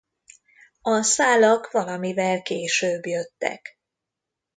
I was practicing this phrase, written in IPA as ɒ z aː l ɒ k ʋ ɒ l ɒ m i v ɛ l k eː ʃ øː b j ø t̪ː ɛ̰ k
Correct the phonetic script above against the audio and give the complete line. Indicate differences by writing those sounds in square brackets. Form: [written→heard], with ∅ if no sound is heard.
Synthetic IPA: ɒ [z→s] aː l ɒ k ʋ ɒ l ɒ m i v ɛ l k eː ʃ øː b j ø t̪ː ɛ̰ k